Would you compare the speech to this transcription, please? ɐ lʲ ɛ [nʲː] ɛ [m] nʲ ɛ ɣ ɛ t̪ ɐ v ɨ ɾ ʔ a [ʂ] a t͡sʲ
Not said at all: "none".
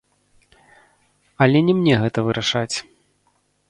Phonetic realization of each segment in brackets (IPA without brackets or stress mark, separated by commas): nʲ, m, ʂ